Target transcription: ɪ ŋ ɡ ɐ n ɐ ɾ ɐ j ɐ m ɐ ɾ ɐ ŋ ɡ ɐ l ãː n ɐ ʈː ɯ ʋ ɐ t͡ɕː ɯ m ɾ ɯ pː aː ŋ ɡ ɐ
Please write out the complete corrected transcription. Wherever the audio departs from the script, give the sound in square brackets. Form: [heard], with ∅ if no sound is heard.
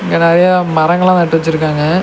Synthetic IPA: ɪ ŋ ɡ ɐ n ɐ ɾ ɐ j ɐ m ɐ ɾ ɐ ŋ ɡ ɐ [ɭ] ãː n ɐ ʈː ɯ ʋ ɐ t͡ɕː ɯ [∅] ɾ ɯ [kː] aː ŋ ɡ ɐ